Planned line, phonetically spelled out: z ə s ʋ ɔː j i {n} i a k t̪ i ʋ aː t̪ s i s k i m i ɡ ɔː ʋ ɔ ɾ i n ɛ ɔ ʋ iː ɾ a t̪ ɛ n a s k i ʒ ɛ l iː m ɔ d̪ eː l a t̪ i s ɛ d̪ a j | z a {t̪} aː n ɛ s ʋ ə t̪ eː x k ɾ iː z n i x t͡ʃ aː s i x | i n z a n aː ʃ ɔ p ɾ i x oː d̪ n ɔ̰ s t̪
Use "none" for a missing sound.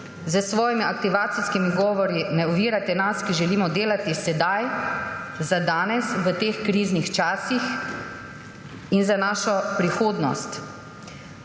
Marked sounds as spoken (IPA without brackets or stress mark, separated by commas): m, d̪